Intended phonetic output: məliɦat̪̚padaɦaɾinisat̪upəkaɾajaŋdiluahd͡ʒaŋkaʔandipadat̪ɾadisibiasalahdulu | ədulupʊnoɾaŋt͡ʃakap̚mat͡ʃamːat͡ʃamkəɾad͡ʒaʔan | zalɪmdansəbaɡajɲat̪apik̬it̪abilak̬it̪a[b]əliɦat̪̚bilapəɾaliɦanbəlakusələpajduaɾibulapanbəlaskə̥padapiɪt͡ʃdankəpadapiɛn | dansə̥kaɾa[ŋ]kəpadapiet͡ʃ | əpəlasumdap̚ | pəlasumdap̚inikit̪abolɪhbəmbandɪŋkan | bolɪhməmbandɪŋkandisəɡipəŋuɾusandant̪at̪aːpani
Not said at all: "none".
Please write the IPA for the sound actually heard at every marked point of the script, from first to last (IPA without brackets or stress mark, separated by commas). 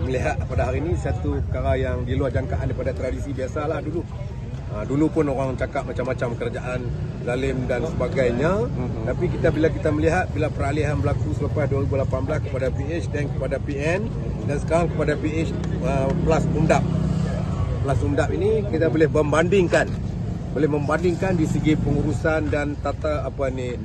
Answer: m, ŋ